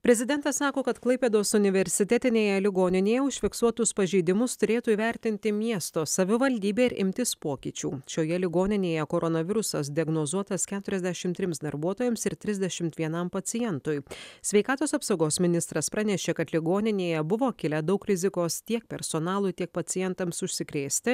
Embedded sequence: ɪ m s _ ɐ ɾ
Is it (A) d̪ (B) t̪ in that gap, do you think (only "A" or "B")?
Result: A